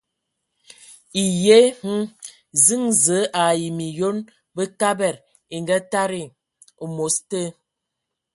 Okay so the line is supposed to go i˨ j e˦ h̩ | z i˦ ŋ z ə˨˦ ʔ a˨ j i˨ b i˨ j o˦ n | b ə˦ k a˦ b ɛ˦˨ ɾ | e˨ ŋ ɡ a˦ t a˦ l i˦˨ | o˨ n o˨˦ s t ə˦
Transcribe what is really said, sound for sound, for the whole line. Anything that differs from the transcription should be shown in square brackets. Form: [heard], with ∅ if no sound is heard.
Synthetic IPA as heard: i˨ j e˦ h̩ | z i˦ ŋ z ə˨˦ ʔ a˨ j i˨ [m] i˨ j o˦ n | b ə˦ k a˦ b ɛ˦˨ ɾ | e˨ ŋ ɡ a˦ t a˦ [ɾ] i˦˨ | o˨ [m] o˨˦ s t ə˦